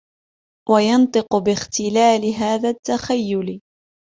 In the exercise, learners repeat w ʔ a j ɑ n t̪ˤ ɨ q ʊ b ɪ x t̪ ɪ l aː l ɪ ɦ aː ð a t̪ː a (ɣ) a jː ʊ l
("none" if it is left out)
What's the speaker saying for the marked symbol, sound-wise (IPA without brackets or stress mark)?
x